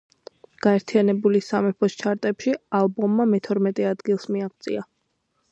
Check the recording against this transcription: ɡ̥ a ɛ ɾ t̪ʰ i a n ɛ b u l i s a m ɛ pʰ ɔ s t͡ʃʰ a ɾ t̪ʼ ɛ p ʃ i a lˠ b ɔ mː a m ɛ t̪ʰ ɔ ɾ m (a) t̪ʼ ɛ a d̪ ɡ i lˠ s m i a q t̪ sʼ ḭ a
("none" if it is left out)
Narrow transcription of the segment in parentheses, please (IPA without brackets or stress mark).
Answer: ɛ